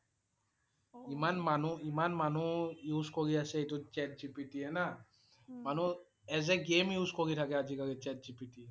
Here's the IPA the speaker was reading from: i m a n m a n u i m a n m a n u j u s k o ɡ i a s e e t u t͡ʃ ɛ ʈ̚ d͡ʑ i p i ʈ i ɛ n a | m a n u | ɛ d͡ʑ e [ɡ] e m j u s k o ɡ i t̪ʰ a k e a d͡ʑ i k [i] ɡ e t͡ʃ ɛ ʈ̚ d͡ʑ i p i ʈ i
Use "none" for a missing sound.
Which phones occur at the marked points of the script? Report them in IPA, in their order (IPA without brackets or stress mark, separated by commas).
ɡ, a